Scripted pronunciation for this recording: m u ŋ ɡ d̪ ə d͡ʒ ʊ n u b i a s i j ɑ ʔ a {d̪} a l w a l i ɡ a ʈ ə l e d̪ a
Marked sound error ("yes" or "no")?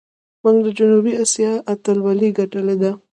yes